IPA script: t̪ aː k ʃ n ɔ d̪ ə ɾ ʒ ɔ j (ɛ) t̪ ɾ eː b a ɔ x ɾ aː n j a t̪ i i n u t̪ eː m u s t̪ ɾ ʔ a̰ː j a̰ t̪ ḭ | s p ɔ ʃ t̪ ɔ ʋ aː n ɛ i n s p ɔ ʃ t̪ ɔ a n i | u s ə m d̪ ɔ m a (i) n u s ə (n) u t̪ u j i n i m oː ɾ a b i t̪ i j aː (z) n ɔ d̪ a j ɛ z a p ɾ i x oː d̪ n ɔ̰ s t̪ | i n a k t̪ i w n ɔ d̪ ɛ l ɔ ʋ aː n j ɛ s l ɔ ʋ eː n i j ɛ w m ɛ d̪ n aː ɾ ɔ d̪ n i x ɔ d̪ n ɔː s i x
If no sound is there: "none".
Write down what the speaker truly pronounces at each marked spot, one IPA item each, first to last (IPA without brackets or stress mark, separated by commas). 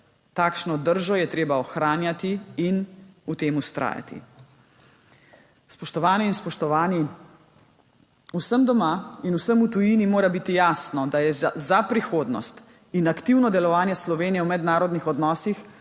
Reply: ɛ, i, m, s